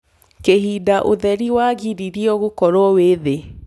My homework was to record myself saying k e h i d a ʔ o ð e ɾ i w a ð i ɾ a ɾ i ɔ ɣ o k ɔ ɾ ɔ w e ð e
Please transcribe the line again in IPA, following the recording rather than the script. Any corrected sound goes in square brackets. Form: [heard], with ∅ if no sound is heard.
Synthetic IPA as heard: k e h i d a ʔ o ð [ɛ] ɾ i w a [ɣ] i ɾ [i] ɾ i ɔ ɣ o k ɔ ɾ ɔ w e ð e